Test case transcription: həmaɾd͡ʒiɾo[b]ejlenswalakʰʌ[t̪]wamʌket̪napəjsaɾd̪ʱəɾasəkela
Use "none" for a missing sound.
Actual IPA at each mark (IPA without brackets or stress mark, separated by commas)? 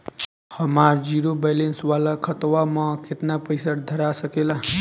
b, t̪